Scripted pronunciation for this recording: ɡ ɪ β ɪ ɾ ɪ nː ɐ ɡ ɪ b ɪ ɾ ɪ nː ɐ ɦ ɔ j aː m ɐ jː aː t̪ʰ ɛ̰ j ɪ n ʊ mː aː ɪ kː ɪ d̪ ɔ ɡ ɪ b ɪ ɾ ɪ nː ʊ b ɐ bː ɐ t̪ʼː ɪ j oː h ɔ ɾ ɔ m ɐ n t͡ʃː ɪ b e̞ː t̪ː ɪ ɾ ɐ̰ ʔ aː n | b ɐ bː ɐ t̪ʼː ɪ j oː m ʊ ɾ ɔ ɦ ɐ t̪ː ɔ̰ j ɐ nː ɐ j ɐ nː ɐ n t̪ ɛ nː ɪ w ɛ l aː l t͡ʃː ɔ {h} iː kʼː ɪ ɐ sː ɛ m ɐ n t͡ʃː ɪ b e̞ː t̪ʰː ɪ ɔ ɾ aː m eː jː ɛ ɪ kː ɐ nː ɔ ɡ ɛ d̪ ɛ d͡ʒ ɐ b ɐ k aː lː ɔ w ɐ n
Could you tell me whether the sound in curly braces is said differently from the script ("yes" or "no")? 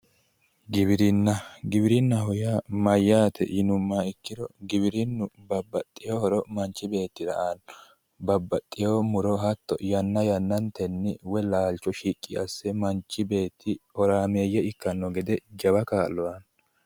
yes